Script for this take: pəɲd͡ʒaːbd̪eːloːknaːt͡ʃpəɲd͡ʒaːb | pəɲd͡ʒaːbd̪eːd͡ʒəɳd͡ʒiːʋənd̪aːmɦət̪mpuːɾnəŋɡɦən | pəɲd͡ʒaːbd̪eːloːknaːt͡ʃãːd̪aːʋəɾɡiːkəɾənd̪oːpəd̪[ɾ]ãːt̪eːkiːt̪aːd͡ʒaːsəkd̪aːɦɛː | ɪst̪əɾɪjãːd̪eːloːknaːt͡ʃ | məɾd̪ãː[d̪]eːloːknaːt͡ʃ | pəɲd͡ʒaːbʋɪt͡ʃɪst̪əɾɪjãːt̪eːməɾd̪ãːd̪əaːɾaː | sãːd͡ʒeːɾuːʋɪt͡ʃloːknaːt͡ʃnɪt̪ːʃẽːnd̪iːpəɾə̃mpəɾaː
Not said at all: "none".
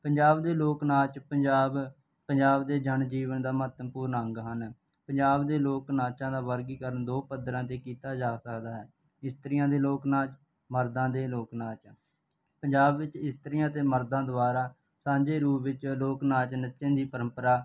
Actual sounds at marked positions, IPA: ɾ, d̪

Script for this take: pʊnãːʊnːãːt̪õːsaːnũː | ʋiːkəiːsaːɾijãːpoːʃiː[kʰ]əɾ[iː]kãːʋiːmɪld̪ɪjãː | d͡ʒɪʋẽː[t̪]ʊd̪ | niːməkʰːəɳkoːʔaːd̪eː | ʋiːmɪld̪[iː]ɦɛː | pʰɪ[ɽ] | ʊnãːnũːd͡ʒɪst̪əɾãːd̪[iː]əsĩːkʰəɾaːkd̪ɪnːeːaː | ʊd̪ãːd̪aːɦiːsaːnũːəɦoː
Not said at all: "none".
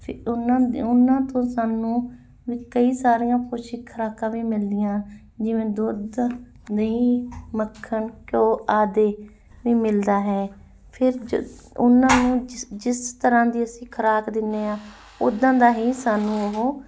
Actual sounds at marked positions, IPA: kʰ, aː, d̪, aː, ɾ, iː

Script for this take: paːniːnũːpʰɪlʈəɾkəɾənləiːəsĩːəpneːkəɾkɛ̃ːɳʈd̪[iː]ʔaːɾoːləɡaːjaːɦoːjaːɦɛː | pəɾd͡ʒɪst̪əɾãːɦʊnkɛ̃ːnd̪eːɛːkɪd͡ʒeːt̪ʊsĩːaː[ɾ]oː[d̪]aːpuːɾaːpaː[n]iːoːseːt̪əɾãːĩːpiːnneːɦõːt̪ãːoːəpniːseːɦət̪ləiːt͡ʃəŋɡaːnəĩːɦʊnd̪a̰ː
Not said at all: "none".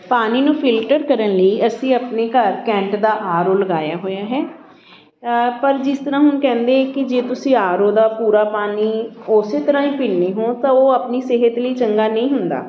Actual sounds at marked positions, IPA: aː, ɾ, d̪, n

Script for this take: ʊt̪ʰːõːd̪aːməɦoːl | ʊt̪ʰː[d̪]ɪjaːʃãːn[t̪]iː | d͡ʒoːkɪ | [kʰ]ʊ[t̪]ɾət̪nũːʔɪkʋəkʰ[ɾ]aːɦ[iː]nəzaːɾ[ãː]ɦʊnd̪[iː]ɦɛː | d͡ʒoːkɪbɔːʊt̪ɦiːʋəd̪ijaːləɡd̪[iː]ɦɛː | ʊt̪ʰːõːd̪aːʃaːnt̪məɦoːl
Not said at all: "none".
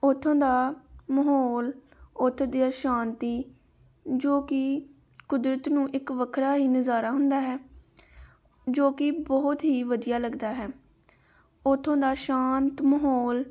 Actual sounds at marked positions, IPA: d̪, t̪, k, d̪, ɾ, iː, aː, aː, aː

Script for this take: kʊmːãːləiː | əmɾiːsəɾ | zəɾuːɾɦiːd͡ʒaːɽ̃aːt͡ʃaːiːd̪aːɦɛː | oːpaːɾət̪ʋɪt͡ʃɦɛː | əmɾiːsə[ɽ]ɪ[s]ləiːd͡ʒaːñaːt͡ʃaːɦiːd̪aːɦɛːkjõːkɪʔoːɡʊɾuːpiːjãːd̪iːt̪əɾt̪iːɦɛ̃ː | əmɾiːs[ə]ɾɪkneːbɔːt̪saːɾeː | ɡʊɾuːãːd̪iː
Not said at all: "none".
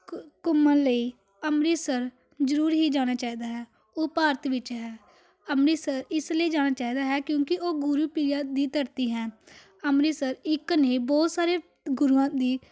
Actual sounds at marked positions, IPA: ɾ, s, ə

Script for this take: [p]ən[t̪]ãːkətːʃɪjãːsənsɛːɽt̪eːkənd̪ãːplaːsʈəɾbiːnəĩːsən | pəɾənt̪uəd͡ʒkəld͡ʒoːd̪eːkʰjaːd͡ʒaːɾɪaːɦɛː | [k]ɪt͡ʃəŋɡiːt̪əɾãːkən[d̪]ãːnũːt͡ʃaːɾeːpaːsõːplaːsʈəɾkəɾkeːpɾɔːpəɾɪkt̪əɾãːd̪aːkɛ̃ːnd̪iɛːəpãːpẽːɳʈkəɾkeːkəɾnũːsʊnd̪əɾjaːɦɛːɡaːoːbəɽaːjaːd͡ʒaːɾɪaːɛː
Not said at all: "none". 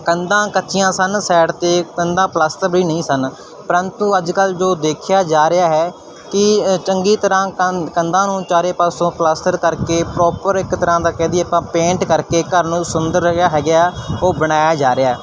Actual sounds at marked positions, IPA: k, d̪, k, d̪

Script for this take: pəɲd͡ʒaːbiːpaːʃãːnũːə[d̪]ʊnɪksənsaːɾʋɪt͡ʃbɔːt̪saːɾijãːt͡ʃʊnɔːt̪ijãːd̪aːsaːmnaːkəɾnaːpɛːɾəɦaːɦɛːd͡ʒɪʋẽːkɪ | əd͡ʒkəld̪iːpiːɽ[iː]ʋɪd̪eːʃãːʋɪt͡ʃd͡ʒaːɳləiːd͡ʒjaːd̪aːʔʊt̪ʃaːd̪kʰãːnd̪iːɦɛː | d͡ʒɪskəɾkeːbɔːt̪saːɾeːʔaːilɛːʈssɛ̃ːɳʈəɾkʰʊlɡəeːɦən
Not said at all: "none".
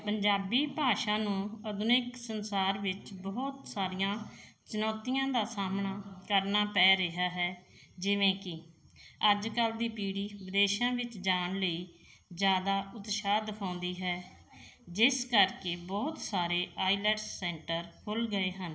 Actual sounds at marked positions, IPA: d̪, iː

